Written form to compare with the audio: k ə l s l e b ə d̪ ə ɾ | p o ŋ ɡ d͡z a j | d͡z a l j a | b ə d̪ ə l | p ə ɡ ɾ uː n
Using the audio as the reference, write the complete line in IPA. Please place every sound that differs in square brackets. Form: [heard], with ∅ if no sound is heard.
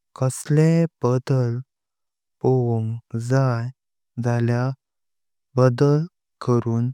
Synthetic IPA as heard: k ə [∅] s l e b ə d̪ ə [l] | p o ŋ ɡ d͡z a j | d͡z a l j a | b ə d̪ ə l | [k] ə [∅] ɾ uː n